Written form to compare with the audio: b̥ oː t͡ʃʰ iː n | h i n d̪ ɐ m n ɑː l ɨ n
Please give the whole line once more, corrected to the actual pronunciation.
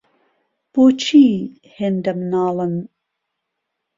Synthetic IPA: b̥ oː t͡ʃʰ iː | h e n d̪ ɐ m n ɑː l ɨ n